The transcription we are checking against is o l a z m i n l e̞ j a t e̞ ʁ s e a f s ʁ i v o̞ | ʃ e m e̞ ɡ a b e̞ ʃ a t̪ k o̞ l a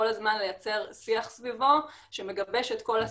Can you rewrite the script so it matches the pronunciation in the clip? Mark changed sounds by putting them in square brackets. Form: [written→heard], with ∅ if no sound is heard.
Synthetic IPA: o l a z m [i→a] n l e̞ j a [t→t͡s] e̞ ʁ s [e→i] a [f→χ] s [ʁ→v] i v o̞ | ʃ e m e̞ ɡ a b e̞ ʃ [a→e] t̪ k o̞ l a